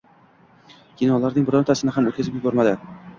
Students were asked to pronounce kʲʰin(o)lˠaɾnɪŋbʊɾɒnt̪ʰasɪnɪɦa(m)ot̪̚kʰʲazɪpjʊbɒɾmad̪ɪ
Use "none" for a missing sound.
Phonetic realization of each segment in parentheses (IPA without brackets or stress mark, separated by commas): ɒ, m